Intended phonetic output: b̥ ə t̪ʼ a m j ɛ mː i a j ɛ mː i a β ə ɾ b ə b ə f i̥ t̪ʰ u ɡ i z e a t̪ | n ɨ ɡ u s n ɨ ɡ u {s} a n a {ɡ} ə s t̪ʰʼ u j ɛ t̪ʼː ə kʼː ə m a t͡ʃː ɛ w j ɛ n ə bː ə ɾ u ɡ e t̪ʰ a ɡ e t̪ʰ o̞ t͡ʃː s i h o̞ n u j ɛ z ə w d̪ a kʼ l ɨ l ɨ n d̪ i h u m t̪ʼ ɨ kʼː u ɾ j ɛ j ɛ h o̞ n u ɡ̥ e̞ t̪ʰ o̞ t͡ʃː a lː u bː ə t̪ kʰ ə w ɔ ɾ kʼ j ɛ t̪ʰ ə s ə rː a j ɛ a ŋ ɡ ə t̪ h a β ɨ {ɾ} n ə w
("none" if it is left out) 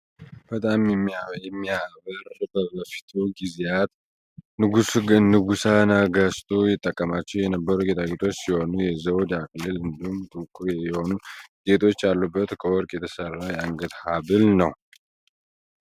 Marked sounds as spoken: s, ɡ, l

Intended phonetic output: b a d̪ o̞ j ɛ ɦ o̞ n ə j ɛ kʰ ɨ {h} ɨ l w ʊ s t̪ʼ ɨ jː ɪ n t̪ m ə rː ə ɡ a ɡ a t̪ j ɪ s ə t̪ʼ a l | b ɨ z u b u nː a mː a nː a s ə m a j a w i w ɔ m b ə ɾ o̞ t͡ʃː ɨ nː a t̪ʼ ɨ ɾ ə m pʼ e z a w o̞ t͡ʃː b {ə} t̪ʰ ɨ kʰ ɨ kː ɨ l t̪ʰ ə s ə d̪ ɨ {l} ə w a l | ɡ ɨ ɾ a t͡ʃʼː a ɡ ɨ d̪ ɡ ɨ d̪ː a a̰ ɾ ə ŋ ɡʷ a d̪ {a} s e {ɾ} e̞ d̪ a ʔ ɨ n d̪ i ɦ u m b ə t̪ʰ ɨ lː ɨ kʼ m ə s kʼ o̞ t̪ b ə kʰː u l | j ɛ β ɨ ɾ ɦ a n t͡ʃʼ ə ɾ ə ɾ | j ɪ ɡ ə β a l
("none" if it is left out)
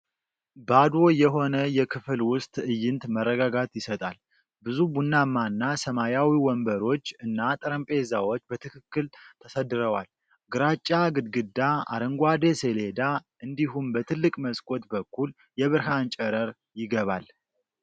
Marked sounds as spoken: f, ə, ɾ, e, l

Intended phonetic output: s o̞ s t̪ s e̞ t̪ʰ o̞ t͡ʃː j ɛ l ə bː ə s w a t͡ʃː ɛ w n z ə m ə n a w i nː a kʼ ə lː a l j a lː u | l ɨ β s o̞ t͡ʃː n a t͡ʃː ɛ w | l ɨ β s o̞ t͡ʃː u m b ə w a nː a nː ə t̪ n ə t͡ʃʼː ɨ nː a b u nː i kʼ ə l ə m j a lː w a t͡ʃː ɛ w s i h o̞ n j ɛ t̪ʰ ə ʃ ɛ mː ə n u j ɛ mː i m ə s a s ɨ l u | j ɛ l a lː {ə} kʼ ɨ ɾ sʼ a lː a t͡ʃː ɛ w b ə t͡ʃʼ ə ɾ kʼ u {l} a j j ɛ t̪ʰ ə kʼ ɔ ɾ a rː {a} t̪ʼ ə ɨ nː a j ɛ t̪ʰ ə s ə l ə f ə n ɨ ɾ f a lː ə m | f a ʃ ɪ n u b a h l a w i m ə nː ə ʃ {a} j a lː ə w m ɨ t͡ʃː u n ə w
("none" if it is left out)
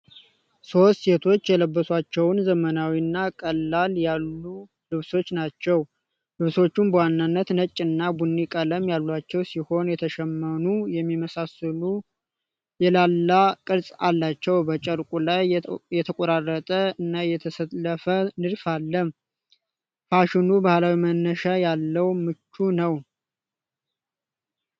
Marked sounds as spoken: a, l, ə, a

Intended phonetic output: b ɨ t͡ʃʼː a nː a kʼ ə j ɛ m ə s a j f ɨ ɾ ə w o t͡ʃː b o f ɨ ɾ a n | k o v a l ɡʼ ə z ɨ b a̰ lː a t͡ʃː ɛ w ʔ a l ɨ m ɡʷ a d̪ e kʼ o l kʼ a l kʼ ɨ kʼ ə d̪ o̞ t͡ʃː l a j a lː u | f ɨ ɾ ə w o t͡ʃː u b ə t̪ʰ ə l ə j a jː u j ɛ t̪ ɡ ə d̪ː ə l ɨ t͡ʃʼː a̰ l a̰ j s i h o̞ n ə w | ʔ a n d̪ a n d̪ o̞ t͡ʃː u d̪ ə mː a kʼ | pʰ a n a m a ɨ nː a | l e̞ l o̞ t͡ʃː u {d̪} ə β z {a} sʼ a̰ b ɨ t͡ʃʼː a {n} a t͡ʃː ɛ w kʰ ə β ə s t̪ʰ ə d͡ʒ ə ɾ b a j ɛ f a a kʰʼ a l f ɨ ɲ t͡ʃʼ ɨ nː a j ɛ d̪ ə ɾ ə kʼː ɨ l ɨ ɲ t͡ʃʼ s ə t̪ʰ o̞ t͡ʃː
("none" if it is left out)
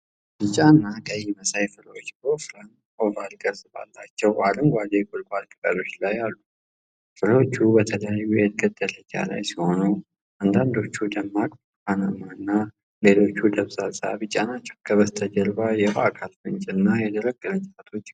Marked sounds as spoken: d̪, a, n

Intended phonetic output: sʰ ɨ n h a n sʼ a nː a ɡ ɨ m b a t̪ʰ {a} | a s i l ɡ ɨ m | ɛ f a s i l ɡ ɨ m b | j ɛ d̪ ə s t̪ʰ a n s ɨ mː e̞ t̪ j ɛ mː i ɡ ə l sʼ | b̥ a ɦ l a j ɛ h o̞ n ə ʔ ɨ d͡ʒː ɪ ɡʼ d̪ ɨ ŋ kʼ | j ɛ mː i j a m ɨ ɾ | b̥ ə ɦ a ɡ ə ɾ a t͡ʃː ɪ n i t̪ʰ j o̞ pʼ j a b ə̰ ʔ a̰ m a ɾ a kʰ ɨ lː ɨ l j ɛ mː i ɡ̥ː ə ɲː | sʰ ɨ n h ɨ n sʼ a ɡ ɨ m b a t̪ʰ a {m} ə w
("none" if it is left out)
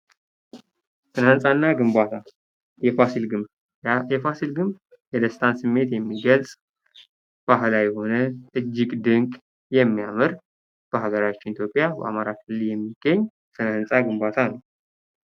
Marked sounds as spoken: a, n

